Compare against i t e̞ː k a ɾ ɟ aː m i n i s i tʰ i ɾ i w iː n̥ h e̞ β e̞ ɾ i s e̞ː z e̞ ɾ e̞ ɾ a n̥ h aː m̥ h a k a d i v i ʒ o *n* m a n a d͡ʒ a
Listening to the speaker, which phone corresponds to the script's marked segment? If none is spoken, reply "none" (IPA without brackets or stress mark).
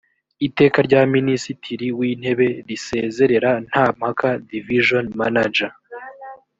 n